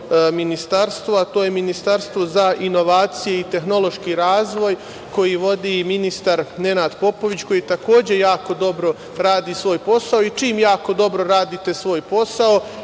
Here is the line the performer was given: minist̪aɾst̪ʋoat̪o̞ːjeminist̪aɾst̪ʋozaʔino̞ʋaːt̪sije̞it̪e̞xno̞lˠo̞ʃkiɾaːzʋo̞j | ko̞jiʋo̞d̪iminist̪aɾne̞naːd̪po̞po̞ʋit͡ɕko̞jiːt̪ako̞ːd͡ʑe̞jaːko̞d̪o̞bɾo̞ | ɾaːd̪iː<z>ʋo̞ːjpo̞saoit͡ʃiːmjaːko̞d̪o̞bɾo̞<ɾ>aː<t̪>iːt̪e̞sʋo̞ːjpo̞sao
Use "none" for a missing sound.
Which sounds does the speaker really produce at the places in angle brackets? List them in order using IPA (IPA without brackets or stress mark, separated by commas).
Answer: s, ɾ, d̪